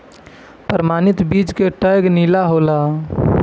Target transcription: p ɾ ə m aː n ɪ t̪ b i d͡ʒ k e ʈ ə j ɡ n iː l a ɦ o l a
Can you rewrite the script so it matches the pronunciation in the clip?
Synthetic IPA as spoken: p ɾ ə m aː n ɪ t̪ b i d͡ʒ k e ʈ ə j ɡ n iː l a ɦ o l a